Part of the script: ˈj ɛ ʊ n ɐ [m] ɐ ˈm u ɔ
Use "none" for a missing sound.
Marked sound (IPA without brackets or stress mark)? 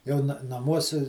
n